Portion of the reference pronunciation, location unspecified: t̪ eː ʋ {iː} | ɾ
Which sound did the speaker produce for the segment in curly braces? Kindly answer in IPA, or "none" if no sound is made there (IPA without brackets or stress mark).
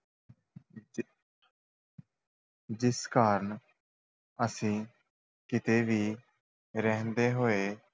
iː